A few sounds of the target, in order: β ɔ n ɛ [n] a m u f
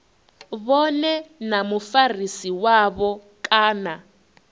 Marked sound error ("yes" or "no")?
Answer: no